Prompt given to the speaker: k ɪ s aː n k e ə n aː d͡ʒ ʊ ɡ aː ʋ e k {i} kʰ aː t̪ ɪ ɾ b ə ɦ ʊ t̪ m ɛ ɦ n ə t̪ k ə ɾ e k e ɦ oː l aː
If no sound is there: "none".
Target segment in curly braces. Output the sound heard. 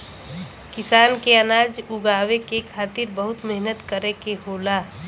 e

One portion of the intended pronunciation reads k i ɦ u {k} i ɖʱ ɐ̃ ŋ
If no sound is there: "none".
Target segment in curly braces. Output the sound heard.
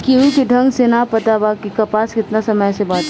k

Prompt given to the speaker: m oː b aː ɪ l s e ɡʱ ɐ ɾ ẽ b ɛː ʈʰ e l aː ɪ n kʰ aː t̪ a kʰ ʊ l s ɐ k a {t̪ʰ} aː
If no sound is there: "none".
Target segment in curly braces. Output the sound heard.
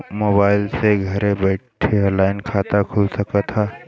t̪ʰ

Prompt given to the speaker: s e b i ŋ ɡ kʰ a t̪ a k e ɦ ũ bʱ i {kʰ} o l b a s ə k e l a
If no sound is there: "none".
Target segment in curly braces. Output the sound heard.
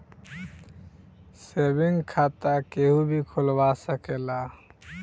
kʰ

